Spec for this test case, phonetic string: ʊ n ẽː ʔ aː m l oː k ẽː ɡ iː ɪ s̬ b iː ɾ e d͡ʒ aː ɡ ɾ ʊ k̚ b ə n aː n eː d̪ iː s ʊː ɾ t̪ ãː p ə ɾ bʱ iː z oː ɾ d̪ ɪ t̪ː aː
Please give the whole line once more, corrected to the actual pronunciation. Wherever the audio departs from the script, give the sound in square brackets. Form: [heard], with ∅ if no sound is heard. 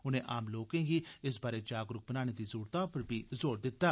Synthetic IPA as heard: ʊ n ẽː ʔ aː m l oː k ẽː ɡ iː ɪ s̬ b [aː] ɾ e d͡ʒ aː ɡ ɾ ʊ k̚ b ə n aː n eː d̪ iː [z] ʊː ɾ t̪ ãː p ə ɾ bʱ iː z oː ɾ d̪ ɪ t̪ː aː

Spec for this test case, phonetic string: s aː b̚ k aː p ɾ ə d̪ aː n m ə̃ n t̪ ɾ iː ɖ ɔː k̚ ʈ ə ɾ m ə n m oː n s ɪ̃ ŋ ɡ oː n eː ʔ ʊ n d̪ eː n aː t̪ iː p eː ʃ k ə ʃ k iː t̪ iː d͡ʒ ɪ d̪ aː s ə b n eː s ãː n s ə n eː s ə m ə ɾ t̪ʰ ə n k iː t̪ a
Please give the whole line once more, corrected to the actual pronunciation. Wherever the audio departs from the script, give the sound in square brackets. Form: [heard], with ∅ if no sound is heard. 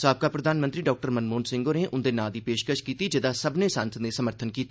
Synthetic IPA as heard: s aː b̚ k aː p ɾ ə d̪ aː n m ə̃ n t̪ ɾ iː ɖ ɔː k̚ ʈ ə ɾ m ə n m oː n s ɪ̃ ŋ ɡ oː n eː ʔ ʊ n d̪ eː n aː [d̪] iː p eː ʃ k ə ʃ k iː t̪ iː d͡ʒ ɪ d̪ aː s ə b n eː s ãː n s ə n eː s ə m ə ɾ t̪ʰ ə n k iː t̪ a

